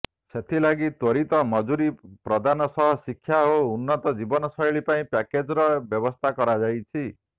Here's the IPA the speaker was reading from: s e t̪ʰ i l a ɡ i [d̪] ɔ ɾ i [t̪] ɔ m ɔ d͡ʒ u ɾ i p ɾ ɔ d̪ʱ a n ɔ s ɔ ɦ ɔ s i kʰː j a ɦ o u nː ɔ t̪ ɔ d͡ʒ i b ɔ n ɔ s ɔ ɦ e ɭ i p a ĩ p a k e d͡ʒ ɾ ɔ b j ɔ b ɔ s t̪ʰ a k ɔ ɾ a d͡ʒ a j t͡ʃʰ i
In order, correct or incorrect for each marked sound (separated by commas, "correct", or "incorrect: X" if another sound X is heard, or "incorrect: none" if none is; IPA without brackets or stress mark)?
incorrect: t̪, correct